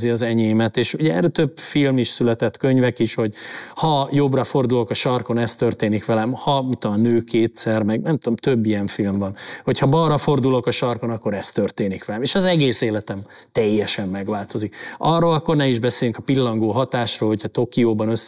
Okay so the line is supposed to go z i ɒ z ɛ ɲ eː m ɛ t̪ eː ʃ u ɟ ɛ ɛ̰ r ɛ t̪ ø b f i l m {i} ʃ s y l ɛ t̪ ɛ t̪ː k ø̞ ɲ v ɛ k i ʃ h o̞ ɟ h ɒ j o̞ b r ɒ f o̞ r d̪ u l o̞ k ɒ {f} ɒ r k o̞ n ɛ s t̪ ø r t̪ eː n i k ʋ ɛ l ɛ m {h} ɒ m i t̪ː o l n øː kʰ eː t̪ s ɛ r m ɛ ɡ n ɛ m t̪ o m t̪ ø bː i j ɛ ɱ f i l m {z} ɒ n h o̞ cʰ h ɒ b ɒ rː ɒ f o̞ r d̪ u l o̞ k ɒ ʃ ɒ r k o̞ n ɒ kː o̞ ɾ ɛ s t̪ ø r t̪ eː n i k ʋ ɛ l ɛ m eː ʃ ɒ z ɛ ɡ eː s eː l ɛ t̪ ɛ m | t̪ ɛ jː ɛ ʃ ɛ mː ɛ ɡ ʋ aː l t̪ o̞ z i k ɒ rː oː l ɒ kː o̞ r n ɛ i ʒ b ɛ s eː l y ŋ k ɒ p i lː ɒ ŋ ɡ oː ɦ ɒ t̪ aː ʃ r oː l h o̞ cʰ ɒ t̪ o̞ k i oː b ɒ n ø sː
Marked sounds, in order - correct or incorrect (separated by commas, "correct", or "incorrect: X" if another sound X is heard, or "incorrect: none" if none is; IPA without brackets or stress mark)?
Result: correct, incorrect: ʃ, correct, incorrect: v